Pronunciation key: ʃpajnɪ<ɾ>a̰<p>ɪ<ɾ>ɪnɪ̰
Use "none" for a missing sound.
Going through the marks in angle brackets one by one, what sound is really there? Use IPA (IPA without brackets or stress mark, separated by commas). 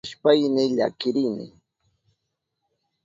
ʎ, k, ɾ